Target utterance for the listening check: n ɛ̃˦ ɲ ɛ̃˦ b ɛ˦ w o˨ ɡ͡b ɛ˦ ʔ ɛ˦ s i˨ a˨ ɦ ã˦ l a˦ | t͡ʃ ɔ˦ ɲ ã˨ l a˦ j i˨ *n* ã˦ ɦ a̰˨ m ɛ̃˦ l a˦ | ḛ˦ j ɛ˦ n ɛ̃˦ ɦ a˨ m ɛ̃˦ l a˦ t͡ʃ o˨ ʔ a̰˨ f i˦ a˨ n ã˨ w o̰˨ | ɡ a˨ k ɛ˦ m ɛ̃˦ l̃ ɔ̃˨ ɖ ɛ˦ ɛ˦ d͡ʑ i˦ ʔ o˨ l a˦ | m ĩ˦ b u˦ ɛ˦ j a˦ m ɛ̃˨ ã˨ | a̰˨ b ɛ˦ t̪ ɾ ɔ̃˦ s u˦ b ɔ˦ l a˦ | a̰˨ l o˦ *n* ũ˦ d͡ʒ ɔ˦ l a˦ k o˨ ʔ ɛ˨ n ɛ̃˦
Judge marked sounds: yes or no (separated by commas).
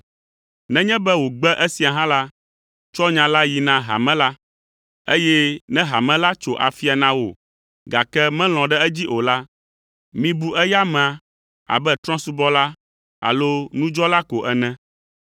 yes, yes